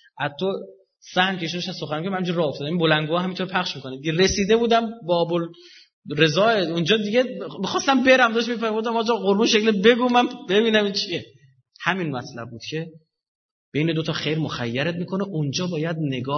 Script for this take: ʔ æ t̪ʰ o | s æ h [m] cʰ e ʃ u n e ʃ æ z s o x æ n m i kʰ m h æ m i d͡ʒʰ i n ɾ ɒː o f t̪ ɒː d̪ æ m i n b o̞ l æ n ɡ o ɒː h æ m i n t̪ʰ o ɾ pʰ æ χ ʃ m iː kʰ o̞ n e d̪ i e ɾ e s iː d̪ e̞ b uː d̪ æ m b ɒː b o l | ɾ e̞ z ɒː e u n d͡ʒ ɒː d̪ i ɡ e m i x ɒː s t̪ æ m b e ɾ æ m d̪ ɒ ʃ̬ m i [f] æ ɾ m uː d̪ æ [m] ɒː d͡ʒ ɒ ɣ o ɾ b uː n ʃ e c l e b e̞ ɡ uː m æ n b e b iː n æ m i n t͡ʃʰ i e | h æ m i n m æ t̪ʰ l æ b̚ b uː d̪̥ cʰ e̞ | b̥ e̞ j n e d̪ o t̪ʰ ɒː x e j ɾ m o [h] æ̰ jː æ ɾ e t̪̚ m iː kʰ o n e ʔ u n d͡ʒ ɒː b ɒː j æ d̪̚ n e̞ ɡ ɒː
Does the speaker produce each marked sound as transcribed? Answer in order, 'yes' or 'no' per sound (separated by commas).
no, yes, yes, no